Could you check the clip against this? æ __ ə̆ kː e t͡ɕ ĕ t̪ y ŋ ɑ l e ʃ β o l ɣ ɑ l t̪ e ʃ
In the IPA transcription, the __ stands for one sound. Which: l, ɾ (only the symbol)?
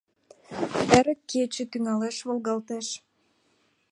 ɾ